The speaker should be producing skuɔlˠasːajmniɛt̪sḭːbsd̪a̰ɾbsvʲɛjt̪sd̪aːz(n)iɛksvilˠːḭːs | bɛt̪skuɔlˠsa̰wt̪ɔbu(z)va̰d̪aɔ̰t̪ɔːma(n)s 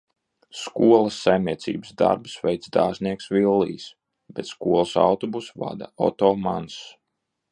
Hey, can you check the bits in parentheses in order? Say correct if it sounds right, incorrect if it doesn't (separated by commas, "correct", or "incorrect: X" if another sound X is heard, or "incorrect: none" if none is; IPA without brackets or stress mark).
correct, incorrect: s, correct